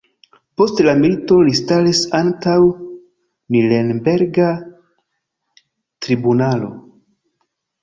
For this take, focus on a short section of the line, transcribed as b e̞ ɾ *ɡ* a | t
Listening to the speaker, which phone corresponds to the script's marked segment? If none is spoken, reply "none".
ɡ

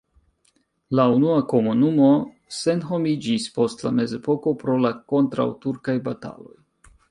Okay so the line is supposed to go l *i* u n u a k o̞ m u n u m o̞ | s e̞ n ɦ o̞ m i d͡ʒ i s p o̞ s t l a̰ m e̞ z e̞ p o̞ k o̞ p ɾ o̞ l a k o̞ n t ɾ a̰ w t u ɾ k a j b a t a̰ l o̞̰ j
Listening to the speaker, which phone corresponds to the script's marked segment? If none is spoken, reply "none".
a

